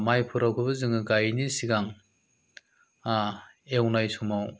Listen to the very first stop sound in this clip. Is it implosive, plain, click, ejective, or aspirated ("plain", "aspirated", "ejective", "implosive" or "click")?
aspirated